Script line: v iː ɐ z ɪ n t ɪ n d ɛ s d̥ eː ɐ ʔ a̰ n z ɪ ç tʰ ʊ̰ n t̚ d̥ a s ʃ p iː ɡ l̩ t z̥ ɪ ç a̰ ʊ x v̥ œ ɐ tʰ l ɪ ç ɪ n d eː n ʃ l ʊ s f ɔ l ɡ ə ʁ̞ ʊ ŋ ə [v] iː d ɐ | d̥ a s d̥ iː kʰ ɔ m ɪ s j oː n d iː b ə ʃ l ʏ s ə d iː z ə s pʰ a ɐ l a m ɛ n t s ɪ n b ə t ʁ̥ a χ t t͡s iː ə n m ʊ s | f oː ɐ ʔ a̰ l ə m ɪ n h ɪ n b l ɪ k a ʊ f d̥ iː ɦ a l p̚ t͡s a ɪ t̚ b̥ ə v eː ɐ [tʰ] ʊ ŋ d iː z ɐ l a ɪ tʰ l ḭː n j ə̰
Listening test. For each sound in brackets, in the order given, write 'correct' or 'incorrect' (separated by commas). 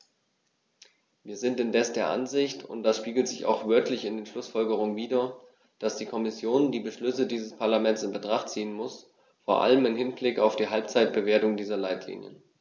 correct, incorrect